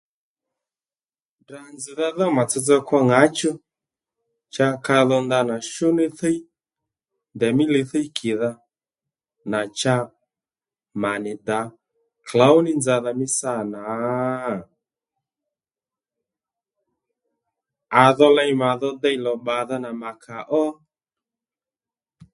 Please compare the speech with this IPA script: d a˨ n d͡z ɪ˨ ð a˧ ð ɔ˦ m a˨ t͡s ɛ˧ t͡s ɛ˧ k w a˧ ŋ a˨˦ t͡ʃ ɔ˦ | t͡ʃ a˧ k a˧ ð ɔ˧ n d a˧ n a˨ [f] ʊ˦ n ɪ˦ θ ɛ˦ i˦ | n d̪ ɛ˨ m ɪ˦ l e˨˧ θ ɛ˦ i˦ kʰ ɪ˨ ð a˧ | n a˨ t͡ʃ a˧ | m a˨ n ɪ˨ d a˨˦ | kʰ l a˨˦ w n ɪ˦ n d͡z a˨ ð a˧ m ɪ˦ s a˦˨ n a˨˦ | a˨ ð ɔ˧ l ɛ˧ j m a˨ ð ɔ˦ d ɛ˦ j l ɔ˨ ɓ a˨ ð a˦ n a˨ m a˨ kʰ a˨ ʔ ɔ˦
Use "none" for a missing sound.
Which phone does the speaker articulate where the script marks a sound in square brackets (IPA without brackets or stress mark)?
ʃ